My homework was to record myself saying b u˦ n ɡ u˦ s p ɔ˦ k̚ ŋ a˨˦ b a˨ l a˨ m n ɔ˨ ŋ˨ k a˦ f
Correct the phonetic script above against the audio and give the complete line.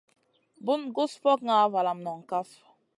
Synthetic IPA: b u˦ n ɡ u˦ s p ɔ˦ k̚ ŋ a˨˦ v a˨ l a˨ m n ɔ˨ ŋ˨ k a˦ f